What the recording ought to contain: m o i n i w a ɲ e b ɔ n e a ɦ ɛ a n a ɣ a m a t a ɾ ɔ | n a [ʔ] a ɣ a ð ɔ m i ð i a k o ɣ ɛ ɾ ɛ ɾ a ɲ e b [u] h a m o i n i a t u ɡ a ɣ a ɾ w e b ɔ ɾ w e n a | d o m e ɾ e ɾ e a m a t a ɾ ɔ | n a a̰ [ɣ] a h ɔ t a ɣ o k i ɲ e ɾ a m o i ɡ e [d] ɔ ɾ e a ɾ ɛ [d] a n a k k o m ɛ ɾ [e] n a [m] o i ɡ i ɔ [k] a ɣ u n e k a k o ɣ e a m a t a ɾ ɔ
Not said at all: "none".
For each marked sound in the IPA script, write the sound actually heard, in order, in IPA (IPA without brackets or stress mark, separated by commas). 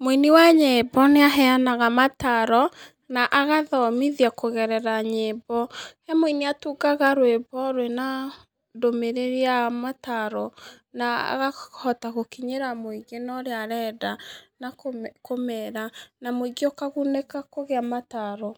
ʔ, ɔ, ɣ, n, d, a, m, k